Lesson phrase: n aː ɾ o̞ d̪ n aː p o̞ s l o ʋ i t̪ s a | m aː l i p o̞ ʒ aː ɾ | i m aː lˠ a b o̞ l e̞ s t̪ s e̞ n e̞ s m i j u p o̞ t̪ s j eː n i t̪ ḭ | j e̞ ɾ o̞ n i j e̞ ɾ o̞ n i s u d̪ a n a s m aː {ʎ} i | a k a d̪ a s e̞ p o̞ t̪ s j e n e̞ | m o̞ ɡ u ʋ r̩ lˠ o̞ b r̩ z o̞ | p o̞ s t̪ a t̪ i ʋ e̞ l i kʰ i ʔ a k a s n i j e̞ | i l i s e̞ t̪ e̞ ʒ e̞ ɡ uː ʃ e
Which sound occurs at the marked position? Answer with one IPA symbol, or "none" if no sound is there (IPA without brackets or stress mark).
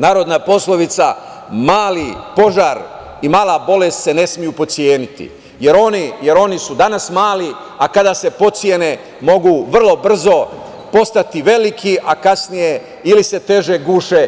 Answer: l